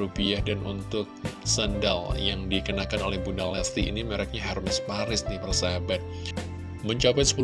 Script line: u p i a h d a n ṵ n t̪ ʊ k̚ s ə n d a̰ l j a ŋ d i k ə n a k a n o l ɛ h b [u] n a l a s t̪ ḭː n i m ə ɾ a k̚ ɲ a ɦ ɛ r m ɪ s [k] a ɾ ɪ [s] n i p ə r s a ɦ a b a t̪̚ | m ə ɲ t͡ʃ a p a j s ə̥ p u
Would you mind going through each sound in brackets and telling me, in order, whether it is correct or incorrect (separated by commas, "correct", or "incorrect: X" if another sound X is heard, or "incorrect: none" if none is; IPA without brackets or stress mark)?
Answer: correct, incorrect: p, correct